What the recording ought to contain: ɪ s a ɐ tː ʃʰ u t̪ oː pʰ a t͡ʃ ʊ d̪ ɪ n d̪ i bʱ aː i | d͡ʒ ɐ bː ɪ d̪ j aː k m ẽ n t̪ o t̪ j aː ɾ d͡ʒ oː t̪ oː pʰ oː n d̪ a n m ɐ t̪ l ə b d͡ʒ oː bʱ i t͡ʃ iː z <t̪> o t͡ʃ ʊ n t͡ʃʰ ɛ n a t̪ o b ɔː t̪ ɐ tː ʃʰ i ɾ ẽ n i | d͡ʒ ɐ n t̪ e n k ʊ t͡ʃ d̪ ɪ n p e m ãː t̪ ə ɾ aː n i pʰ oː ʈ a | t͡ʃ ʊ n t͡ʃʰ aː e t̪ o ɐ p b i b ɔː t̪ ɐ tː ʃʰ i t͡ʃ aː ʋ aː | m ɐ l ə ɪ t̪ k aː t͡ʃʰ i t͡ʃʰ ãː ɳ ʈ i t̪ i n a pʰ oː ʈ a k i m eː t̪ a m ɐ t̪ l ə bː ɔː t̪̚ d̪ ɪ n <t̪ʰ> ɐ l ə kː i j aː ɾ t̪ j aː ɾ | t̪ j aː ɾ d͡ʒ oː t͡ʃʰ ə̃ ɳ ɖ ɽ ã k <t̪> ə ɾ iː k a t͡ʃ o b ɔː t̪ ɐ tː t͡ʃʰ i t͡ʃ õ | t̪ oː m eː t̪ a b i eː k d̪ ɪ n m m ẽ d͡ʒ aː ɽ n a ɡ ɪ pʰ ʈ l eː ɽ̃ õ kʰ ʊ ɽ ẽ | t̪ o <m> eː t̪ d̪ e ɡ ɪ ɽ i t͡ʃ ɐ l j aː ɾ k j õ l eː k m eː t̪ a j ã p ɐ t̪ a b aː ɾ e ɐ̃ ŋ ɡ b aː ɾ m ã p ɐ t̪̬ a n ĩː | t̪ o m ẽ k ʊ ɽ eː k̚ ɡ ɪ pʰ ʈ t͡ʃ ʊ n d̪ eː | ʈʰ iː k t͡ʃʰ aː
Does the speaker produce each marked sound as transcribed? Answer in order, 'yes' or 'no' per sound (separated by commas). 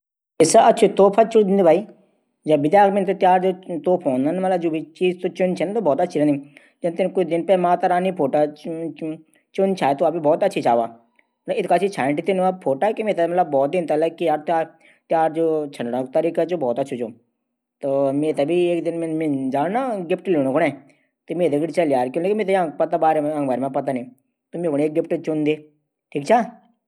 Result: yes, no, yes, yes